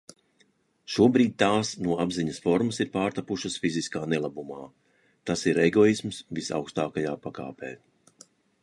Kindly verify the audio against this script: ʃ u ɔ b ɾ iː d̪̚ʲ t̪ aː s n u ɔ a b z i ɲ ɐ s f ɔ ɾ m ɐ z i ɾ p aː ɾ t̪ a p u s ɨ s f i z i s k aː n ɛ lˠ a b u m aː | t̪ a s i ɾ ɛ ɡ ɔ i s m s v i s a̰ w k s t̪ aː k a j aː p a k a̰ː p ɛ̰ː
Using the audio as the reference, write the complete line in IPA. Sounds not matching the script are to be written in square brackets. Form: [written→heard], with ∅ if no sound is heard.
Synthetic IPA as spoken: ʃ u ɔ b ɾ iː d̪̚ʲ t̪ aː s n u ɔ a b z i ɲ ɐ s f ɔ ɾ m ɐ [z→s] i ɾ p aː ɾ t̪ a p u [s→ʃ] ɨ s f i z i s k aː n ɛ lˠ a b u m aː | t̪ a s i ɾ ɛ ɡ ɔ i s m s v i s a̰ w k s t̪ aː k a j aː p a k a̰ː p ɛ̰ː